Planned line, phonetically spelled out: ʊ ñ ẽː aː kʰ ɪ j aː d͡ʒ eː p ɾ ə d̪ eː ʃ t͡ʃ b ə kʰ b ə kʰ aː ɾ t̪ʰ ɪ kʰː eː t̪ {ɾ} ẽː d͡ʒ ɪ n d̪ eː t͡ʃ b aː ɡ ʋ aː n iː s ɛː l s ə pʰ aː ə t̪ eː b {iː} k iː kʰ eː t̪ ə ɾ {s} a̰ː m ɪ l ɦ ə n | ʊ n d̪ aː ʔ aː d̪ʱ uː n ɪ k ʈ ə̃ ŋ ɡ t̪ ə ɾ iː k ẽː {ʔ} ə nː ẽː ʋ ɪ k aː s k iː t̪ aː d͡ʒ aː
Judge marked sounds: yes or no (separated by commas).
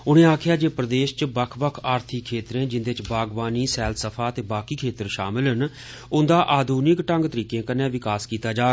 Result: yes, no, no, no